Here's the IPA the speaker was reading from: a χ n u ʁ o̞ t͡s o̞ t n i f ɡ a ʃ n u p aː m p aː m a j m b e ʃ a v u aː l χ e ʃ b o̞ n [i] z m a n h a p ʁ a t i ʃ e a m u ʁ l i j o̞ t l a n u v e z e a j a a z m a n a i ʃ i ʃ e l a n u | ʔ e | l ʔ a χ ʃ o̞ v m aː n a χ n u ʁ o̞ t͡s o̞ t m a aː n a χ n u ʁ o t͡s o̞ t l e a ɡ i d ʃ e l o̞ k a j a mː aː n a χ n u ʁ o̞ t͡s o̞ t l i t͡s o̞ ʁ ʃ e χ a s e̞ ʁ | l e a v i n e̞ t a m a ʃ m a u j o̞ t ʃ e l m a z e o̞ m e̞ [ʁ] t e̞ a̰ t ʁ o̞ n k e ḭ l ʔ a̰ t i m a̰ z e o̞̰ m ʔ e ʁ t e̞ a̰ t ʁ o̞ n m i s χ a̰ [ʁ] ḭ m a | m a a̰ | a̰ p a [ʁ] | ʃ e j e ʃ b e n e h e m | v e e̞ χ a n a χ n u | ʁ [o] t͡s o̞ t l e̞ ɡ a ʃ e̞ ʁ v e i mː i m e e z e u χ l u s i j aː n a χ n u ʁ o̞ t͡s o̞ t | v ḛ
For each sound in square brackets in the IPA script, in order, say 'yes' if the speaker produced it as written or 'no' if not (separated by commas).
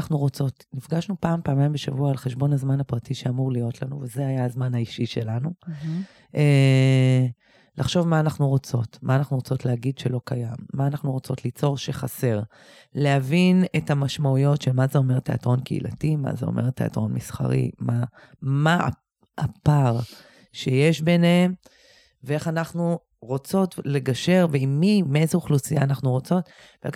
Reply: no, yes, yes, yes, yes